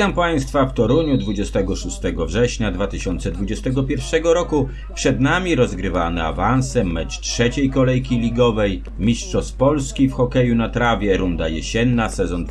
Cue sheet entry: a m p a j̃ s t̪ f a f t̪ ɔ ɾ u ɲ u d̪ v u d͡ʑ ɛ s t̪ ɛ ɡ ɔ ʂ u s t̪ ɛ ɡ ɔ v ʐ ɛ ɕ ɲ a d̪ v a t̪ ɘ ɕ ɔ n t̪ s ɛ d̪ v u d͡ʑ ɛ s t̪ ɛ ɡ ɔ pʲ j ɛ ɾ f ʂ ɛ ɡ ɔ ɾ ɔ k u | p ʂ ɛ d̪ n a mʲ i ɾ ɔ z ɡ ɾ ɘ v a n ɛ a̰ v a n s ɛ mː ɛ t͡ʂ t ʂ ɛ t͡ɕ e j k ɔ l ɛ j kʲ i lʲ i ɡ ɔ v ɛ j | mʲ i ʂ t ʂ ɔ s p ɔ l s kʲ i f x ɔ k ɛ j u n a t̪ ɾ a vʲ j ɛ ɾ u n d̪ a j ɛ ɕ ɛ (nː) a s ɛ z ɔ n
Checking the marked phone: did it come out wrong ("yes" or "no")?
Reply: no